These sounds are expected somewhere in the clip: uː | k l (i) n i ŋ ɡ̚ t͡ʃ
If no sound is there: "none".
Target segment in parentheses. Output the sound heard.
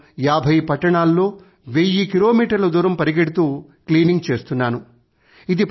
iː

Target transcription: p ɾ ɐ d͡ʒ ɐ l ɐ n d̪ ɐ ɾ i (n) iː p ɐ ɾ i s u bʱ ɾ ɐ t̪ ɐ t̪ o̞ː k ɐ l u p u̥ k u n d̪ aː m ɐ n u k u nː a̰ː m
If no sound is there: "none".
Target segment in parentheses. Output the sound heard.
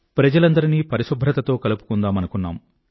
n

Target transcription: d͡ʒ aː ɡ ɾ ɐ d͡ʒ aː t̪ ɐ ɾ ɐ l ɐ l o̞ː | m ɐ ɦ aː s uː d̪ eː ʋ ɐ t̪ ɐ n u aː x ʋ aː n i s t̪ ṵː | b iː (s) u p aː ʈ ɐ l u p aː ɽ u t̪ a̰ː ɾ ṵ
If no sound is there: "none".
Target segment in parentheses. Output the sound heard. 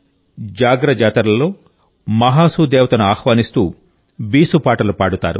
s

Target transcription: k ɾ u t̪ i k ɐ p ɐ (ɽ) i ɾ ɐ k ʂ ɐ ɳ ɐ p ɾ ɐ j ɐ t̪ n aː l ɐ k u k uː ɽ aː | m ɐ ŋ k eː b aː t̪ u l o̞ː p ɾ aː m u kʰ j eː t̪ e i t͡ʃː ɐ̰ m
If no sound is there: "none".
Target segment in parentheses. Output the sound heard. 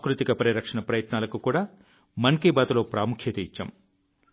ɾ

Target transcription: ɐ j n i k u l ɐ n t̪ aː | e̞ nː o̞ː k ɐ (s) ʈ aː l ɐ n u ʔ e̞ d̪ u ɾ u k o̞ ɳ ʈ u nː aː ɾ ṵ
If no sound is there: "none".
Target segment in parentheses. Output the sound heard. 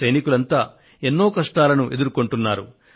ʂ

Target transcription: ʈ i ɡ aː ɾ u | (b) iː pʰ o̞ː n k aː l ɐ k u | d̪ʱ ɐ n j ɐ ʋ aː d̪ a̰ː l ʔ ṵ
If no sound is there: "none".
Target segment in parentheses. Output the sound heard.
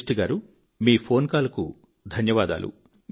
m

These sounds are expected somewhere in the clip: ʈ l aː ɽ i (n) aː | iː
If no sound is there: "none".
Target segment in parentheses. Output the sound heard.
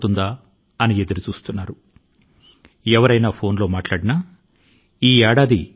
n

